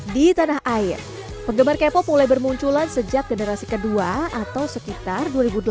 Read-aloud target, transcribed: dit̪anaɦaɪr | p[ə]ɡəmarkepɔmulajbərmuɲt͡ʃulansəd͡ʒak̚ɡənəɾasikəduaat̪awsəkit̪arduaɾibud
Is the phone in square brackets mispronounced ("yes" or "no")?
no